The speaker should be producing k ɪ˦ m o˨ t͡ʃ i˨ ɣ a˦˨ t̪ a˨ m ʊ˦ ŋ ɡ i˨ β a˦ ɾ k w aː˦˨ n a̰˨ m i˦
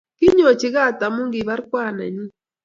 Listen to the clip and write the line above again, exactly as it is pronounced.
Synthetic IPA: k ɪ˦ ɲ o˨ t͡ʃ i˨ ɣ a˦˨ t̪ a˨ m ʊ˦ ŋ ɡ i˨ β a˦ ɾ k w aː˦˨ n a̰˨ ɲ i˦